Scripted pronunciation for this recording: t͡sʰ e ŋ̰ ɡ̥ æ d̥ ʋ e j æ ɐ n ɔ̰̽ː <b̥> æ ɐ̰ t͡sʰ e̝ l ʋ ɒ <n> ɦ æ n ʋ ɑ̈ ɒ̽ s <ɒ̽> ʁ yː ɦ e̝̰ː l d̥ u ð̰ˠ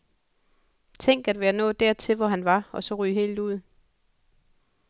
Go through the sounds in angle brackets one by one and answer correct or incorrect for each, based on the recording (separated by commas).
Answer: incorrect, incorrect, correct